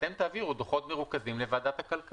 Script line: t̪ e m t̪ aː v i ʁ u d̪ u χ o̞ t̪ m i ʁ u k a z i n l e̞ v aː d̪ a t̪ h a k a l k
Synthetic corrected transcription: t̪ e m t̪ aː v i ʁ u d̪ o χ o̞ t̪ m e ʁ u k a z i m l e̞ v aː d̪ a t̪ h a k a l k